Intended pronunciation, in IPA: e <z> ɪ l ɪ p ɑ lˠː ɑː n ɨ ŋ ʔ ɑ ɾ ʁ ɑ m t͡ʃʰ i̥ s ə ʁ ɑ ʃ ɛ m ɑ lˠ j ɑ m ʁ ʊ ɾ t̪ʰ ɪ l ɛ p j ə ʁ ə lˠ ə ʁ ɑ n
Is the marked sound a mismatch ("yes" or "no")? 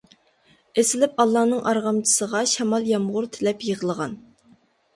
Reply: yes